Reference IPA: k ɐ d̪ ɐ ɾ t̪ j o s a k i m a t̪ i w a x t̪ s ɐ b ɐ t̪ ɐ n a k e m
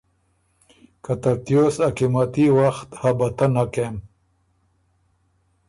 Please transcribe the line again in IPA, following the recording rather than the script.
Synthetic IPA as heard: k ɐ t̪ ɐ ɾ t̪ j o s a k i m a t̪ i w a x t̪ h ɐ b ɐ t̪ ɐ n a k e m